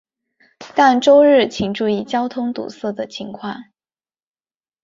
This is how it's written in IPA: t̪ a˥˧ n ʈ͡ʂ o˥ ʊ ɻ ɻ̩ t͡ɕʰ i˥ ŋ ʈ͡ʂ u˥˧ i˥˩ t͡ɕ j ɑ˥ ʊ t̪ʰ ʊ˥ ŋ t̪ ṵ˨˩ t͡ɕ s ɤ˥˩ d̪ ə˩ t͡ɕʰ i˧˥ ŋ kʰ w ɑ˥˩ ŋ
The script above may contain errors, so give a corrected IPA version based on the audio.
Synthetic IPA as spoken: t̪ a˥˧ n ʈ͡ʂ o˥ ʊ ɻ ɻ̩ t͡ɕʰ i˨˩ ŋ ʈ͡ʂ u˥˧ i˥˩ t͡ɕ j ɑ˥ ʊ t̪ʰ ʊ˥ ŋ t̪ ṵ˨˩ s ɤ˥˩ d̪ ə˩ t͡ɕʰ i˧˥ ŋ kʰ w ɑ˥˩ ŋ